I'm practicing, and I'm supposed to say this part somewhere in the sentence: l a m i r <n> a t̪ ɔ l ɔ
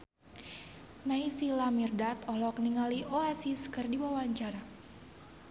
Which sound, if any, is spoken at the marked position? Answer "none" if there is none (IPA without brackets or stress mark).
d